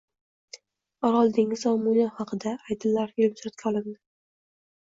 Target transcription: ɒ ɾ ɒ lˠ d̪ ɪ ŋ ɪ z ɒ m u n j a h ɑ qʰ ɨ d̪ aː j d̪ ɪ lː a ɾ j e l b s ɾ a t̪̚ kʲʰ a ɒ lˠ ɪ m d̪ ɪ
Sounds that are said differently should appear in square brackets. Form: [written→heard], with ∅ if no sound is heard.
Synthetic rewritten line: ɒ ɾ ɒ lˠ d̪ ɪ ŋ ɪ z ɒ m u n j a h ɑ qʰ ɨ d̪ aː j d̪ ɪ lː a ɾ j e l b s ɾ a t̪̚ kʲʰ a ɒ lˠ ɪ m d̪ ɪ